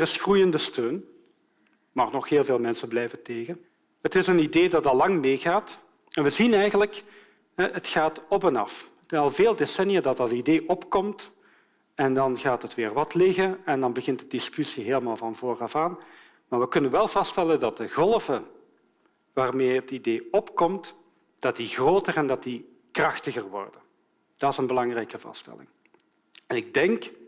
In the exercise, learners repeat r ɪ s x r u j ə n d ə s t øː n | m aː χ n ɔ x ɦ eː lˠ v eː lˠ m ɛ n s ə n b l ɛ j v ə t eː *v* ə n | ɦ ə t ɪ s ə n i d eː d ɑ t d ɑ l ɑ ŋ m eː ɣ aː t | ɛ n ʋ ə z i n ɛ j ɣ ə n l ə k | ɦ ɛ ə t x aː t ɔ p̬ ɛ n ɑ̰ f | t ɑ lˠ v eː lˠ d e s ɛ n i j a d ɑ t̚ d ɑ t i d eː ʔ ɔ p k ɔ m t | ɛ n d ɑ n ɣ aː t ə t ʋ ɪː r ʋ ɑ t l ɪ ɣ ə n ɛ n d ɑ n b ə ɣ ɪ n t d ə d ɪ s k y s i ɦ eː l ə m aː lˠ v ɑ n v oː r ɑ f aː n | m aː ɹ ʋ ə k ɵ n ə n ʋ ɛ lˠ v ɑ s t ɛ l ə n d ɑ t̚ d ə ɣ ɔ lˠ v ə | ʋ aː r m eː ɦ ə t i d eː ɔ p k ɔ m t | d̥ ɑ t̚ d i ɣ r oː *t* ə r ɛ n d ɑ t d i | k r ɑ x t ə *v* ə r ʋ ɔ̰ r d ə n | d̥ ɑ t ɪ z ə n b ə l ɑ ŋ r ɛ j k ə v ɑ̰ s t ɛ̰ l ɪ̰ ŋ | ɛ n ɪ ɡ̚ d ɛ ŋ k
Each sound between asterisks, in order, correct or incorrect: incorrect, correct, incorrect

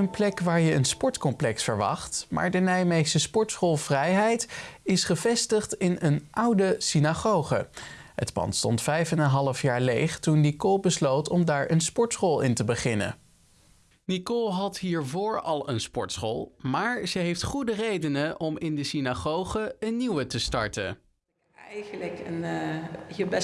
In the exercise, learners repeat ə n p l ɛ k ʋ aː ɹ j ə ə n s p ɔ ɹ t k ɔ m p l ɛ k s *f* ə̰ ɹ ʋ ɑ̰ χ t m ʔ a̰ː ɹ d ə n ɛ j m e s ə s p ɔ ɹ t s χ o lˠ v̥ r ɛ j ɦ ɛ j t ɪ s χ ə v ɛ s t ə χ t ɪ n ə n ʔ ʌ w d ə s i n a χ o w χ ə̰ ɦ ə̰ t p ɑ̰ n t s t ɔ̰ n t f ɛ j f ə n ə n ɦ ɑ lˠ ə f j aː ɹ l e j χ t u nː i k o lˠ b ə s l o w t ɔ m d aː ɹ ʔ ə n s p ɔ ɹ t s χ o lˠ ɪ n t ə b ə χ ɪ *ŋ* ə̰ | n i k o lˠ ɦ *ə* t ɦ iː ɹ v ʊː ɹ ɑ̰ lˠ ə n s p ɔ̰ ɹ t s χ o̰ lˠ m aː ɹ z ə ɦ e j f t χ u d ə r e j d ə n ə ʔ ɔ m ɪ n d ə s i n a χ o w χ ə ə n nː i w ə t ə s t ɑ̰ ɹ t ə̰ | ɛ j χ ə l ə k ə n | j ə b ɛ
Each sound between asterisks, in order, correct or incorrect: correct, incorrect, incorrect

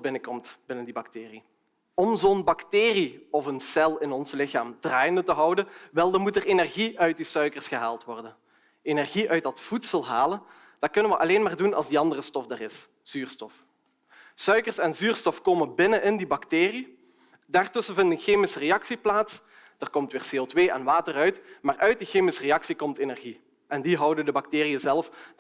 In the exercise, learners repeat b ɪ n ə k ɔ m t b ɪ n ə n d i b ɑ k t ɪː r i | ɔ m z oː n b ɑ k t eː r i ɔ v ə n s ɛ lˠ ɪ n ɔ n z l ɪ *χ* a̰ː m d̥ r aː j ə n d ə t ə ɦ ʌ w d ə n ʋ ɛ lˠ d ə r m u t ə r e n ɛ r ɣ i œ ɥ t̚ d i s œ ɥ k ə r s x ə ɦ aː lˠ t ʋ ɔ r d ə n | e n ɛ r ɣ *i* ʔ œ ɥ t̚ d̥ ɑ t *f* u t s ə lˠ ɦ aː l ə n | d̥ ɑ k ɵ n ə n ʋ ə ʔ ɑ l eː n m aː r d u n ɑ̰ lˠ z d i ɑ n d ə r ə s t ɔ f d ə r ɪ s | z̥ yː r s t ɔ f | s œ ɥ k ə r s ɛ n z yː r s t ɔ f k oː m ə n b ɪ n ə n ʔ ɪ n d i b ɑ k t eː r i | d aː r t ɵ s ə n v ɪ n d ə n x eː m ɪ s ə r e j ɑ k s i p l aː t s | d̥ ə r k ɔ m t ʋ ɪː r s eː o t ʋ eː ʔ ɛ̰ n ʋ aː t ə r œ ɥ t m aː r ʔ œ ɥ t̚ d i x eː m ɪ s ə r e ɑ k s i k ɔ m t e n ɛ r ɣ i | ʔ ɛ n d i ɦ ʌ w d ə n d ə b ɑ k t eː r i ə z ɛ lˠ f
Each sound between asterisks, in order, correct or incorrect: incorrect, correct, correct

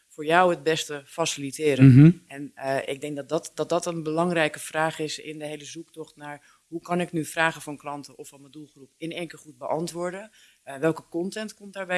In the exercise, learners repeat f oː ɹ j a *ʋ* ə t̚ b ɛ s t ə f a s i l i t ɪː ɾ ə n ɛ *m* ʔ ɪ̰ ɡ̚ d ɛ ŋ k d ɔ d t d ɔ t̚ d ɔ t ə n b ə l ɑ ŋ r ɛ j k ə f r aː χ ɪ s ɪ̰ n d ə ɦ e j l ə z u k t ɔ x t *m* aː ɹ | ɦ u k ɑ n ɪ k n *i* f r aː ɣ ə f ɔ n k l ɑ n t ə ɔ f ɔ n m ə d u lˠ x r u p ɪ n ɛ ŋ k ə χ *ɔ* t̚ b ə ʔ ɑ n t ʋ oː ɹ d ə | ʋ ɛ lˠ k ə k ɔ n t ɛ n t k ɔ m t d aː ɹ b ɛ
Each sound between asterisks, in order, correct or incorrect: incorrect, incorrect, incorrect, incorrect, incorrect

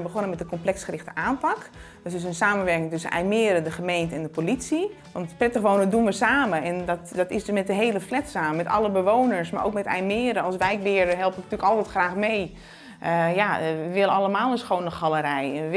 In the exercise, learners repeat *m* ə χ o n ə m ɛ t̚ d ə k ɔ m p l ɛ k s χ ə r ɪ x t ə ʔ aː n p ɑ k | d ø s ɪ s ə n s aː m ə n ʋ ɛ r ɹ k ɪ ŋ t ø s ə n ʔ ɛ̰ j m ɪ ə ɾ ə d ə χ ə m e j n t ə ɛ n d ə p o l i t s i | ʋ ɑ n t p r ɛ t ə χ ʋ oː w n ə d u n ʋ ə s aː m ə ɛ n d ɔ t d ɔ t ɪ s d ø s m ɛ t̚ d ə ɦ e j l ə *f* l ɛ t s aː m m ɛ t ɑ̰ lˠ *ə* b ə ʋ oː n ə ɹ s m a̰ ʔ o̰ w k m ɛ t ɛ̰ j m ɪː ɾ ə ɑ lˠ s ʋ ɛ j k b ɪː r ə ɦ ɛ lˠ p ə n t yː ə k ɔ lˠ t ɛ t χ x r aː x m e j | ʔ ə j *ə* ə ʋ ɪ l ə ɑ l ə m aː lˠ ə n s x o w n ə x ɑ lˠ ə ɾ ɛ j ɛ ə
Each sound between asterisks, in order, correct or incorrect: incorrect, correct, correct, incorrect

